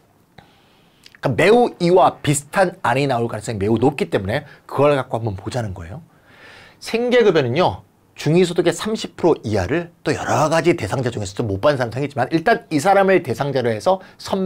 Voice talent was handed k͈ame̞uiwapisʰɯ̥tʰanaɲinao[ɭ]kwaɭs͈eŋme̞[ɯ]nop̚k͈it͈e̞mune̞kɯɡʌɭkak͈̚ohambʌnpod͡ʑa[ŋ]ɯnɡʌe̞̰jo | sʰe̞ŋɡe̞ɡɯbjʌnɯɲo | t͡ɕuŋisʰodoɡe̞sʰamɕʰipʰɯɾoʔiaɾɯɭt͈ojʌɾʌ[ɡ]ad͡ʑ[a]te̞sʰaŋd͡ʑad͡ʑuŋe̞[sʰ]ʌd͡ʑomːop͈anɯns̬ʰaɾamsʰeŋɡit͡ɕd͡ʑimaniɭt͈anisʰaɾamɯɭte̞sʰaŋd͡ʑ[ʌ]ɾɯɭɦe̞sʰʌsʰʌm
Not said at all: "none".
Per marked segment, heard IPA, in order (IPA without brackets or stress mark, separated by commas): ɭ, u, n, ɡ, i, sʰ, a